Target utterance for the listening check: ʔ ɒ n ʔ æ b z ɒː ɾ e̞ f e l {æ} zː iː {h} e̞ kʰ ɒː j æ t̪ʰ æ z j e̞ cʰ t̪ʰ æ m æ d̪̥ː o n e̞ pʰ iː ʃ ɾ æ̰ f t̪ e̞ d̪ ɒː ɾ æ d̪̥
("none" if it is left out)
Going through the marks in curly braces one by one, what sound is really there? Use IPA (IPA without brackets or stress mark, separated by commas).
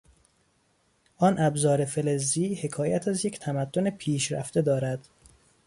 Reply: e, h